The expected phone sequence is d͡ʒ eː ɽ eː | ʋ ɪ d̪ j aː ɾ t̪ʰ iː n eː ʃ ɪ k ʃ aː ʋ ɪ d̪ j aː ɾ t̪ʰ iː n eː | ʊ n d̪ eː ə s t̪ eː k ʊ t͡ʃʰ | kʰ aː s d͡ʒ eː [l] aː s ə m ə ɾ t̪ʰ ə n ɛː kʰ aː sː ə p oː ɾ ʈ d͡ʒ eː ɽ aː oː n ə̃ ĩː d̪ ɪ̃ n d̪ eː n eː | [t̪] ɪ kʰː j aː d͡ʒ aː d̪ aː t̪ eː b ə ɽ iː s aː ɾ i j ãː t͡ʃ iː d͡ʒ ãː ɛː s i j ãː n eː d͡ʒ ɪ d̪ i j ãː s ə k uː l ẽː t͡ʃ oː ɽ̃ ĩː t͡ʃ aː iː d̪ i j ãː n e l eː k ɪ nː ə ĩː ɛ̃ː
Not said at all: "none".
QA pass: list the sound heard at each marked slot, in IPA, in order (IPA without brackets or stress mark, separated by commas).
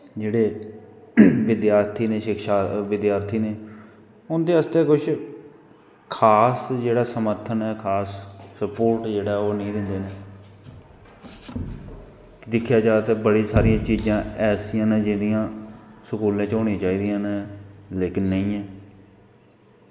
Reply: ɽ, d̪